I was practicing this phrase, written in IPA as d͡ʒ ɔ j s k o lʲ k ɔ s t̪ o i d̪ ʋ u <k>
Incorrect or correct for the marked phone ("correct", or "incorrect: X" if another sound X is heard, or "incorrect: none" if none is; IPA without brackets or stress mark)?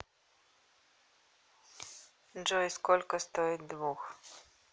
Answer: incorrect: x